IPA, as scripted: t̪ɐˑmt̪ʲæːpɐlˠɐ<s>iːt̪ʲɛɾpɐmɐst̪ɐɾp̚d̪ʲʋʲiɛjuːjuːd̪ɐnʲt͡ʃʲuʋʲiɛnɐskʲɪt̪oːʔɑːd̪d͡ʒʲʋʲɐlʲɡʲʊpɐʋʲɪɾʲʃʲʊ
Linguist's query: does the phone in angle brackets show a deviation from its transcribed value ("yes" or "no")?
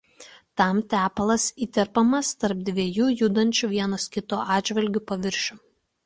no